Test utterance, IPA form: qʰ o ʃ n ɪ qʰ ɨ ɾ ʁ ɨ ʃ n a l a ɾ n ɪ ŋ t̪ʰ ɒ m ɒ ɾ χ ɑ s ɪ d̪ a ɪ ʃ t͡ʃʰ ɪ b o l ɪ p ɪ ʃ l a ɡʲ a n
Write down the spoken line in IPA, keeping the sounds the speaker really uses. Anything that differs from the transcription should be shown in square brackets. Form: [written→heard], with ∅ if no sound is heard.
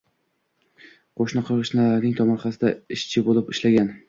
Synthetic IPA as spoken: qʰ o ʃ n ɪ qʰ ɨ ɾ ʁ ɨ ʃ n a l a ɾ n ɪ ŋ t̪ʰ ɒ m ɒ ɾ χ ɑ s ɪ d̪ a ɪ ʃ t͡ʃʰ ɪ b o l ɪ p ɪ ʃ l a ɡʲ a n